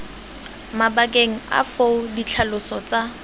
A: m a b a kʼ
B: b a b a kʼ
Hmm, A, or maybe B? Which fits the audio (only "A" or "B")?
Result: A